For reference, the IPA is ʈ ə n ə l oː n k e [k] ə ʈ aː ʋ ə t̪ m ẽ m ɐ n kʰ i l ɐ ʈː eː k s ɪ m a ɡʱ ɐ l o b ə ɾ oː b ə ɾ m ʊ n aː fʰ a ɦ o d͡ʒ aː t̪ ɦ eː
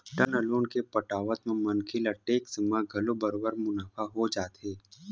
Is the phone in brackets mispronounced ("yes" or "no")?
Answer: yes